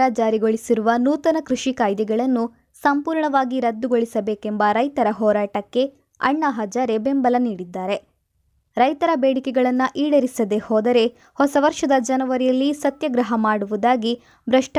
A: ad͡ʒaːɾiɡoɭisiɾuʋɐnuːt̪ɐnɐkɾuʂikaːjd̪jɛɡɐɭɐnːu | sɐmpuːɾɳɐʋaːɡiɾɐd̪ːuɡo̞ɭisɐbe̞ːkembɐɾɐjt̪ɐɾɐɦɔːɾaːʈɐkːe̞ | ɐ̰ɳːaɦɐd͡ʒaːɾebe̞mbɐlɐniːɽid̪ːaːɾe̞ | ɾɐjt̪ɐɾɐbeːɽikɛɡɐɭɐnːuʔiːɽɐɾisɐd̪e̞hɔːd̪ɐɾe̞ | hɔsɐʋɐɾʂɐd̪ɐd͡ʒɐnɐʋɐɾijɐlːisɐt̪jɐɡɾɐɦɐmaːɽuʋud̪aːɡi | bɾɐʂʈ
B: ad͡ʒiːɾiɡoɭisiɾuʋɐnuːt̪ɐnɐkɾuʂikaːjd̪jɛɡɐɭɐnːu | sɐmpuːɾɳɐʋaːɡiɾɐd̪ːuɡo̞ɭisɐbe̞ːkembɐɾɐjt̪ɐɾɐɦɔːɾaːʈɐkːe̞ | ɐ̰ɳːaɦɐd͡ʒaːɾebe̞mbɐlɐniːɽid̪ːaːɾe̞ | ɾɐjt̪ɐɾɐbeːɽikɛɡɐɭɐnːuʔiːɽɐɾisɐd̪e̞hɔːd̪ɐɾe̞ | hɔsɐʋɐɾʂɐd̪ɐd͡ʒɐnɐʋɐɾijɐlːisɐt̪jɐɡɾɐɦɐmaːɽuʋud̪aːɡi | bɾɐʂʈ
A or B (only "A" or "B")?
A